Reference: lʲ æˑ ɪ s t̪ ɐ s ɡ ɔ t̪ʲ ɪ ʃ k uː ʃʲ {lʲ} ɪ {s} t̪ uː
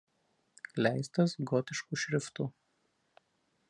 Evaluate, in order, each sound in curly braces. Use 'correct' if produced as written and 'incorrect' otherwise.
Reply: incorrect: ɾʲ, incorrect: f

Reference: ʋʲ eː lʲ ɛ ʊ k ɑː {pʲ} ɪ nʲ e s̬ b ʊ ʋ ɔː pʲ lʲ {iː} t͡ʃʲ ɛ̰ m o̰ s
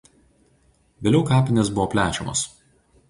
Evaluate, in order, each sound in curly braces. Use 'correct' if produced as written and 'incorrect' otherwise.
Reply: correct, incorrect: æː

